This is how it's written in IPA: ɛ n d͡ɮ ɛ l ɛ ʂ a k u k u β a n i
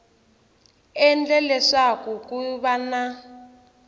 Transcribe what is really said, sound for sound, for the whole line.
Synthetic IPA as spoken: ɛ n d͡ɮ ɛ l ɛ ʂ a k u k u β a n a